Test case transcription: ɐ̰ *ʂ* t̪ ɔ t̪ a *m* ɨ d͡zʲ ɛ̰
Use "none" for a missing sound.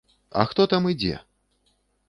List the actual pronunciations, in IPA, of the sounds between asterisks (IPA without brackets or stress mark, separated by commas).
x, m